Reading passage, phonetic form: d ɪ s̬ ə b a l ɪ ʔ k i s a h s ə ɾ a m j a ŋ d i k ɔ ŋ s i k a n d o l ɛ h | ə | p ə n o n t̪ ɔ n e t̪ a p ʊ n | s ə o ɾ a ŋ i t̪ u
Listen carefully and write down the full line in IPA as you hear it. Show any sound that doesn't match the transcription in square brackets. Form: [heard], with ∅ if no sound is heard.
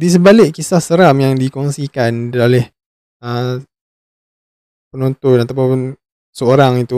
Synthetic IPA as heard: d [i] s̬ ə b a l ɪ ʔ k i s a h s ə ɾ a m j a ŋ d i k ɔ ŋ s i k a n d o l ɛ h | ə | p ə n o n t̪ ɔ n [a] t̪ a p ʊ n | s ə o ɾ a ŋ i t̪ u